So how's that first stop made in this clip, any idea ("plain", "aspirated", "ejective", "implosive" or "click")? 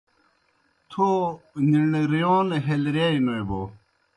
aspirated